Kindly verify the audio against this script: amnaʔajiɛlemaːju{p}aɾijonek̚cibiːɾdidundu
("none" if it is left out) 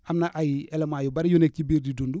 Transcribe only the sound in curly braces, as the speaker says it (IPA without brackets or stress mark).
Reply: b